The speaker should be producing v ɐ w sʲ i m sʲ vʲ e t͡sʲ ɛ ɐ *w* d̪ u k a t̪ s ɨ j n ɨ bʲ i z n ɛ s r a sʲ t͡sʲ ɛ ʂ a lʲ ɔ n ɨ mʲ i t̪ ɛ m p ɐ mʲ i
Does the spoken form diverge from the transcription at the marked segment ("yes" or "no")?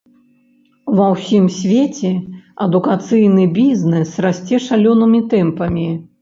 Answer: yes